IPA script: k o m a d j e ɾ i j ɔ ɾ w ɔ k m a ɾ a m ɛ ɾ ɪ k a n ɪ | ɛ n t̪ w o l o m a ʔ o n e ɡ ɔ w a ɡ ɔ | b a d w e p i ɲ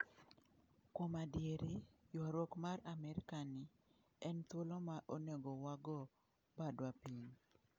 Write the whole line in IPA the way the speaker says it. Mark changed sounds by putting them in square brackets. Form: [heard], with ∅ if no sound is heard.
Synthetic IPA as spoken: k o m a d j e ɾ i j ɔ ɾ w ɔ k m a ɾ a m ɛ ɾ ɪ k a n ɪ | ɛ n t̪ w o l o m a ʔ o n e ɡ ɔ w a ɡ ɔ | b a d w [a] p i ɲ